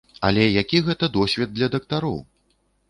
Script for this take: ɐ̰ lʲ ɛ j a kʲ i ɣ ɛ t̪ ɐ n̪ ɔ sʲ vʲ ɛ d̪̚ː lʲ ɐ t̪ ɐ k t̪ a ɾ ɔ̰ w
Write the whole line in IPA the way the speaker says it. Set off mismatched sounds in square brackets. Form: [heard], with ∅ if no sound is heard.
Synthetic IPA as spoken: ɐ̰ lʲ ɛ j a kʲ i ɣ ɛ t̪ ɐ [d̪] ɔ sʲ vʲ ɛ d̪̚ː lʲ ɐ [d̪] ɐ k t̪ a ɾ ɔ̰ w